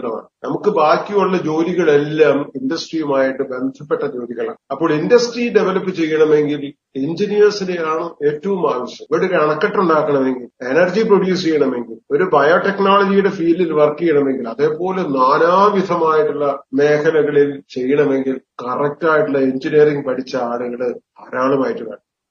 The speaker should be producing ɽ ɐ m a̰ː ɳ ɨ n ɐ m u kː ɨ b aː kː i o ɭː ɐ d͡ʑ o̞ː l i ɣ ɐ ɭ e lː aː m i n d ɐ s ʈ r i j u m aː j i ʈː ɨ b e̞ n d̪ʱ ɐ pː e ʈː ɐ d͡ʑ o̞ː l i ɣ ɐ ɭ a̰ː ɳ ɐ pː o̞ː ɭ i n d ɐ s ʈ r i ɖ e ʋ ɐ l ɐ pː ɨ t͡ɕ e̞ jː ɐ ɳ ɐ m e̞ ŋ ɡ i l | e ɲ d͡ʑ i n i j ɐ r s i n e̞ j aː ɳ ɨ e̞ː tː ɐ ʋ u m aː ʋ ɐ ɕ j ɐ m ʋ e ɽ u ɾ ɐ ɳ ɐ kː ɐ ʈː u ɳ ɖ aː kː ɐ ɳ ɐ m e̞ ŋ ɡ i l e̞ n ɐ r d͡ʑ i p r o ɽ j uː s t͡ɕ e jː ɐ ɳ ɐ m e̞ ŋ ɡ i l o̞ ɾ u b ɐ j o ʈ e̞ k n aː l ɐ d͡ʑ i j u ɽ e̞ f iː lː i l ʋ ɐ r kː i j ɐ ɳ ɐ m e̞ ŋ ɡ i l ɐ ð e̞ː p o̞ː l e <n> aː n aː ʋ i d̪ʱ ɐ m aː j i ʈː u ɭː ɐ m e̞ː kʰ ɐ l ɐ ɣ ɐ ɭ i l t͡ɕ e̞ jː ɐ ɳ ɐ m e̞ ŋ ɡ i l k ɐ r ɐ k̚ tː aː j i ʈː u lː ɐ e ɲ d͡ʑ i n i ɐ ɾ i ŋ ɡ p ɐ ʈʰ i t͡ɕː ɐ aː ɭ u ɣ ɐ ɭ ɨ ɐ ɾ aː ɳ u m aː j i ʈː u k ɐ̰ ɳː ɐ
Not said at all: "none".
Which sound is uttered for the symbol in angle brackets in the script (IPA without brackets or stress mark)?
n